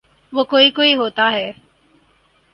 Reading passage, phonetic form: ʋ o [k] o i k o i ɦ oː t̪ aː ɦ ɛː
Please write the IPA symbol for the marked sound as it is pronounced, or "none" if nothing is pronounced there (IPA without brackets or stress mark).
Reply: k